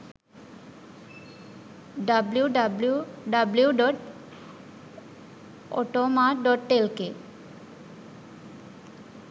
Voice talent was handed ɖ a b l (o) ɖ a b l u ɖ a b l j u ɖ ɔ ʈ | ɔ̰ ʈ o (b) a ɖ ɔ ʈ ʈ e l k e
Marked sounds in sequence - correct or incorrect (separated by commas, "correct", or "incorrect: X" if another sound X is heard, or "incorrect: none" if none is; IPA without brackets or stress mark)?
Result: incorrect: u, incorrect: m